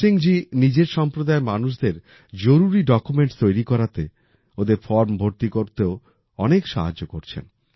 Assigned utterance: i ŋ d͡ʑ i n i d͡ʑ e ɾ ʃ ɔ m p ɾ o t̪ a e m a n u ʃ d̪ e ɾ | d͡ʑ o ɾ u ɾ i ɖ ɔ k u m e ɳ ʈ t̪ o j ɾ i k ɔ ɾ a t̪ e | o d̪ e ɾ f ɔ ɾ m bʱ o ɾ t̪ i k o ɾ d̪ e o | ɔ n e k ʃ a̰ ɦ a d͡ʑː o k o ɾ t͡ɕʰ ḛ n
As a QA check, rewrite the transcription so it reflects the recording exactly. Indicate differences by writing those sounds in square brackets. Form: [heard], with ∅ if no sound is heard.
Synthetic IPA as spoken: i ŋ d͡ʑ i n i d͡ʑ e ɾ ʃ ɔ m p ɾ o [d̪] a e m a n u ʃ d̪ e ɾ | d͡ʑ o ɾ u ɾ i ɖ ɔ k u m e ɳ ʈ t̪ o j ɾ i k ɔ ɾ a t̪ e | o d̪ e ɾ f ɔ ɾ m bʱ o ɾ t̪ i k o ɾ [t̪] e o | ɔ n e k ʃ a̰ ɦ a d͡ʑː o k o ɾ t͡ɕʰ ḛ n